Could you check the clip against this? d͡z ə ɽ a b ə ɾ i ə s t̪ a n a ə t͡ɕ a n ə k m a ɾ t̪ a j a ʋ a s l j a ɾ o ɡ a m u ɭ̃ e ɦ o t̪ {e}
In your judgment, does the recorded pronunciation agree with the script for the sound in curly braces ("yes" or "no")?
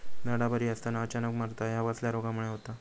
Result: no